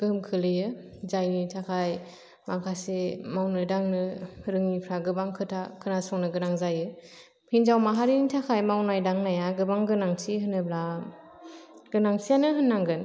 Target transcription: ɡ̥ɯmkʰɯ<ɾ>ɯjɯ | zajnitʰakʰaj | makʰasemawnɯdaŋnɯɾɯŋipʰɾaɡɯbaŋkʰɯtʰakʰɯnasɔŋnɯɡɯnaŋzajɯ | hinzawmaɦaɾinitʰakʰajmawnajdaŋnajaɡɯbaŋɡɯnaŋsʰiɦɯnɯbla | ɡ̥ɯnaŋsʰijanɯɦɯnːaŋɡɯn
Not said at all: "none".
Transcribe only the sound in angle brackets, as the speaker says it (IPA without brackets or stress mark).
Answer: l